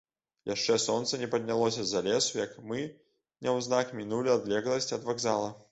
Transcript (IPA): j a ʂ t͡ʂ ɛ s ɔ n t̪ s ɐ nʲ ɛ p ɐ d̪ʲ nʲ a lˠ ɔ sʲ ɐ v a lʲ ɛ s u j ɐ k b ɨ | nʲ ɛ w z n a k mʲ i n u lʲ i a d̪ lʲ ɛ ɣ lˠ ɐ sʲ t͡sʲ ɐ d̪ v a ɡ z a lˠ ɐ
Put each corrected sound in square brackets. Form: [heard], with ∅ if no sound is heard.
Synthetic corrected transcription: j a ʂ t͡ʂ ɛ s ɔ n t̪ s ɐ nʲ ɛ p ɐ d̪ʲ nʲ a lˠ ɔ sʲ ɐ [z] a lʲ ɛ s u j ɐ k [m] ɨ | nʲ ɛ w z n a k mʲ i n u lʲ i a d̪ lʲ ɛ ɣ lˠ ɐ sʲ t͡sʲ ɐ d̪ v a ɡ z a lˠ ɐ